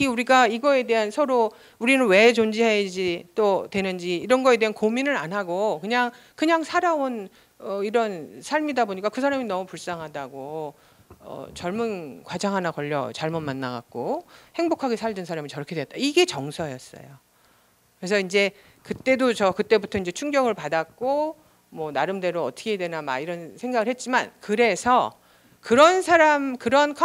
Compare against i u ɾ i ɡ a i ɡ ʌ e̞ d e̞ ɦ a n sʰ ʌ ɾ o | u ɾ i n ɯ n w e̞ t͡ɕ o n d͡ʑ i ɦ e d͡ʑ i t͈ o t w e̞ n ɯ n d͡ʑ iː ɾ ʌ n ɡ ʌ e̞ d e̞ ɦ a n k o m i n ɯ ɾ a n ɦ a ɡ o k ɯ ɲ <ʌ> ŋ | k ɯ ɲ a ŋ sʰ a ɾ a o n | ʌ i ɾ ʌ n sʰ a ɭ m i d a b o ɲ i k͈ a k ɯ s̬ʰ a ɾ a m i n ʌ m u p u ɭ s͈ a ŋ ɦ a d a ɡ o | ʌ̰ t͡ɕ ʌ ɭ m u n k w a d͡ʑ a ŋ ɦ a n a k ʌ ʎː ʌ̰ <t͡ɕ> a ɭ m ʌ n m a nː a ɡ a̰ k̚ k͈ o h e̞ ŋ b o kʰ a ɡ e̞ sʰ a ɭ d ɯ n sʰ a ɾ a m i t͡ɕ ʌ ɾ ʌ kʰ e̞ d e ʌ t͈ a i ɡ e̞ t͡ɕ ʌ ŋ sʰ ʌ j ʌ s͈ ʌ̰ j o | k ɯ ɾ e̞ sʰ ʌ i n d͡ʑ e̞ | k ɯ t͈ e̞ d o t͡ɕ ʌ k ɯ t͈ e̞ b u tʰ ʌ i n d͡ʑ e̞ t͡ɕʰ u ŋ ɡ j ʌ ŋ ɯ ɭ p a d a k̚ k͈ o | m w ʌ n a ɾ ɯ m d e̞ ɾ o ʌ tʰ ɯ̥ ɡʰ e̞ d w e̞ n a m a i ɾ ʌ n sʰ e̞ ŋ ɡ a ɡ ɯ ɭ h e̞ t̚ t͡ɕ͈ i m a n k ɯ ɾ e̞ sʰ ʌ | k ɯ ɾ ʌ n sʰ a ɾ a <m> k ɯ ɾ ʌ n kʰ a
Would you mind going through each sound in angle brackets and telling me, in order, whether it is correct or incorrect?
incorrect: a, correct, correct

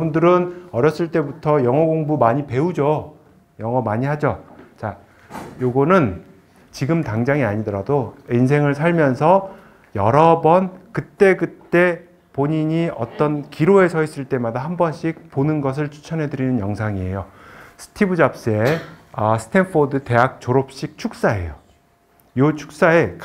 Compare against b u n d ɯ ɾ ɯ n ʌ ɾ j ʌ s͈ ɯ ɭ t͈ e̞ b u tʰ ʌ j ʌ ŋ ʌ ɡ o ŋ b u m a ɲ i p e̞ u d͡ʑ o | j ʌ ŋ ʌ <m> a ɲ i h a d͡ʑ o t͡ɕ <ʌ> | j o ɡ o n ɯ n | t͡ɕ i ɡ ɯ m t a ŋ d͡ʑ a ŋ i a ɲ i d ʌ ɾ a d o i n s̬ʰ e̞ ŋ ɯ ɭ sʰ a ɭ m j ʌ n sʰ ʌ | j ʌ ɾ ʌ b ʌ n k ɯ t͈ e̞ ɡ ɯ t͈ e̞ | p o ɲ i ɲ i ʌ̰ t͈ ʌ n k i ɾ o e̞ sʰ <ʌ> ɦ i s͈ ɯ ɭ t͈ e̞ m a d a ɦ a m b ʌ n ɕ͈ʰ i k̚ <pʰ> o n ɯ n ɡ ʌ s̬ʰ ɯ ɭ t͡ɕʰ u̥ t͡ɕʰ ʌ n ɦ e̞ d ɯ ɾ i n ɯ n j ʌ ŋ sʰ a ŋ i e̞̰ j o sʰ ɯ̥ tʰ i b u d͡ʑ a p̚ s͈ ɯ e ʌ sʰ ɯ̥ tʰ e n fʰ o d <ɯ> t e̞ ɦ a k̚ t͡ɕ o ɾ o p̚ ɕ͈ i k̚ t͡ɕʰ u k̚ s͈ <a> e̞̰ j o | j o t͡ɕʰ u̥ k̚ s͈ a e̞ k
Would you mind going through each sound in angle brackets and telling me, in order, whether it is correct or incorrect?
correct, incorrect: a, correct, incorrect: p, correct, correct

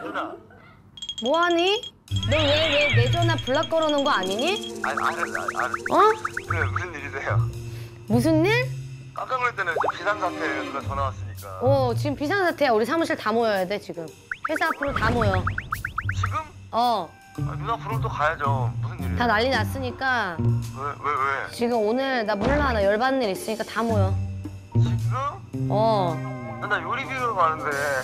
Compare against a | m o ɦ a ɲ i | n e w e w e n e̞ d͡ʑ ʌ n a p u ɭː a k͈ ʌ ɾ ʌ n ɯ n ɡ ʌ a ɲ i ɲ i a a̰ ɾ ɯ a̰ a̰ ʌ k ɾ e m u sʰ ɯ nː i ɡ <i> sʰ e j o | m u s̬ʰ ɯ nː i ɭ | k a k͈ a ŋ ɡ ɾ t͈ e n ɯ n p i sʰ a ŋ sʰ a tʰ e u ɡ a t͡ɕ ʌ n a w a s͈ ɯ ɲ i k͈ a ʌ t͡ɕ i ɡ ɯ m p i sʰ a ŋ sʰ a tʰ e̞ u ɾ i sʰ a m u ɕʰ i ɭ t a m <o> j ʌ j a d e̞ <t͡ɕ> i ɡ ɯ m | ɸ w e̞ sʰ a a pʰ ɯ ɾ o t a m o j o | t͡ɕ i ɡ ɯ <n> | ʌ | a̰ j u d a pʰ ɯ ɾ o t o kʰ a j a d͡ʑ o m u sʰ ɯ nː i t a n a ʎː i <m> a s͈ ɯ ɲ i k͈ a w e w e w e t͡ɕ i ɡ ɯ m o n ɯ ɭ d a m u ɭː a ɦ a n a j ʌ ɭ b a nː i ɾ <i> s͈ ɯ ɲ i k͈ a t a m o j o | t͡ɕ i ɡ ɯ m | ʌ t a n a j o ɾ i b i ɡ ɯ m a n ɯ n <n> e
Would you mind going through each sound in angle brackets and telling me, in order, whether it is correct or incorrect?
correct, correct, correct, incorrect: m, incorrect: n, correct, incorrect: d

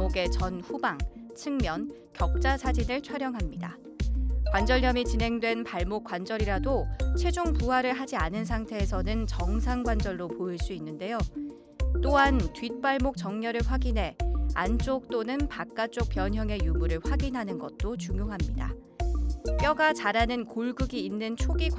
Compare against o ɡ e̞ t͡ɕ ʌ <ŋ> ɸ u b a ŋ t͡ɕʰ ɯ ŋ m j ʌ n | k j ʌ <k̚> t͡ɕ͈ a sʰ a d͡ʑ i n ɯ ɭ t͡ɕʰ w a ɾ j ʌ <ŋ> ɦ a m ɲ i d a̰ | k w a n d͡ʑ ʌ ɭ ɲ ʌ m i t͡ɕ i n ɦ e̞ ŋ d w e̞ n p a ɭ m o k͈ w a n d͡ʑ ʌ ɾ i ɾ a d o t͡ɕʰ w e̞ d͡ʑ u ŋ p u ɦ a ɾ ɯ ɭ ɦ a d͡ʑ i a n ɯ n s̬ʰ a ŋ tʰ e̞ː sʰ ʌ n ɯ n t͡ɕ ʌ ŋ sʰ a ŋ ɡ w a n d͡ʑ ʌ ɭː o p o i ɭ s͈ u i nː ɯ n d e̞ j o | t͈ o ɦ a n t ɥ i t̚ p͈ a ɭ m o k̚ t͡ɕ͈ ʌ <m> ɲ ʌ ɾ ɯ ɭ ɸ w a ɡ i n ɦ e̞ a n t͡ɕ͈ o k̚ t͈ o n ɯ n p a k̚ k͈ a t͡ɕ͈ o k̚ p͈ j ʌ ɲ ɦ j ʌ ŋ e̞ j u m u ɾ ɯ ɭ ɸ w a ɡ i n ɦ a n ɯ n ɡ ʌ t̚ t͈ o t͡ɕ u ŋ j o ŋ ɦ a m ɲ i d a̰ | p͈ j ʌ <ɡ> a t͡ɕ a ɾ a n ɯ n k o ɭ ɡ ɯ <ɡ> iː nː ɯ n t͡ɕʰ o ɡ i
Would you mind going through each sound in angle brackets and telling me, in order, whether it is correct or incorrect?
incorrect: n, correct, correct, incorrect: ŋ, correct, correct

